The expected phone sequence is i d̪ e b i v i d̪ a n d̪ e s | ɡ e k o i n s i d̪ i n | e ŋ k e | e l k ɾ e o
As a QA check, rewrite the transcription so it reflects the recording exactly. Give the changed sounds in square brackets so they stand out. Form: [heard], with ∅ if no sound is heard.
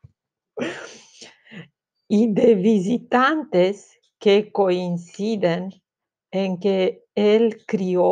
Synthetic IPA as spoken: i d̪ e [v] i [z] i [t̪] a n [t̪] e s | [k] e k o i n s i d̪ [e] n | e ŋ k e | e l k ɾ [i] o